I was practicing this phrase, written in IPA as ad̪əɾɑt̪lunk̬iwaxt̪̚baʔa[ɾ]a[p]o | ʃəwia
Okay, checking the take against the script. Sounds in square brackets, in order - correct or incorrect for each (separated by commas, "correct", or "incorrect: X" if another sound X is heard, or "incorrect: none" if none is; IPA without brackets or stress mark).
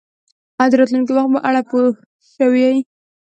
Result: incorrect: ɽ, correct